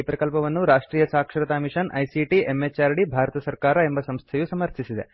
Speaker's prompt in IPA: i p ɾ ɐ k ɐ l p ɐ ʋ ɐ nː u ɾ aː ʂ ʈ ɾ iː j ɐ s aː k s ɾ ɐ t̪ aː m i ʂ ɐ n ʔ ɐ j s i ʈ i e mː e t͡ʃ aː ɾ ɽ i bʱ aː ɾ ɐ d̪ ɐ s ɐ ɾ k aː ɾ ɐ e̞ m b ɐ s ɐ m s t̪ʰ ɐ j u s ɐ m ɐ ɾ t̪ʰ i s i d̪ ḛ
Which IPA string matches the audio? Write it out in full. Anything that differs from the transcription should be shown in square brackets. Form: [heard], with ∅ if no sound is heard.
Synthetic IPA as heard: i p ɾ ɐ k ɐ l p ɐ ʋ ɐ nː u ɾ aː ʂ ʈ ɾ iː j ɐ s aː k [ʂ] ɾ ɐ t̪ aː m i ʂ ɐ n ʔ ɐ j s i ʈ i e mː e t͡ʃ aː ɾ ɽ i bʱ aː ɾ ɐ [t̪] ɐ s ɐ ɾ k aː ɾ ɐ e̞ m b ɐ s ɐ m s t̪ʰ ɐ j u s ɐ m ɐ ɾ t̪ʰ i s i d̪ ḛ